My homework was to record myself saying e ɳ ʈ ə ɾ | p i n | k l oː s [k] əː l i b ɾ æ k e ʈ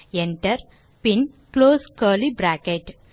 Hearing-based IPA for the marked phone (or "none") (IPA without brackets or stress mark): k